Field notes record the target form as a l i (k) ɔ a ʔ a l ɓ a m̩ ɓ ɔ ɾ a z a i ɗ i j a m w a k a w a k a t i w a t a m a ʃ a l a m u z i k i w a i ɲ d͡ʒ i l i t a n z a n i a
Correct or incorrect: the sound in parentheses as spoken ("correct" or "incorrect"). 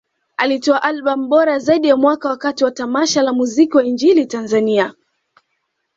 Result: incorrect